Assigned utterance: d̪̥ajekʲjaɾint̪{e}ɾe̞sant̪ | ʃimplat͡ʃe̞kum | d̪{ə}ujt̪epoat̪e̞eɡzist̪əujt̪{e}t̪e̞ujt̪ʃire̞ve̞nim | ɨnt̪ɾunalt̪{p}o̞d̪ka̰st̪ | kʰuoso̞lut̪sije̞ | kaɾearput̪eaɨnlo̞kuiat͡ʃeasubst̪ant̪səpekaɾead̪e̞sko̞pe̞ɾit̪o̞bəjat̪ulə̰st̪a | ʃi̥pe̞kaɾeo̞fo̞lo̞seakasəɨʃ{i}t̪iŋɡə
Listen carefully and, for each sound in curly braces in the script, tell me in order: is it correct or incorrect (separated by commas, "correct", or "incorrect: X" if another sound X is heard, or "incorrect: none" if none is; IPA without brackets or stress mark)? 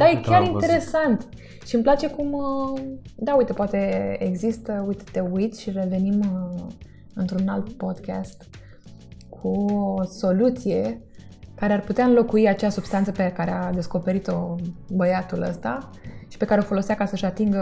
correct, incorrect: a, correct, correct, incorrect: a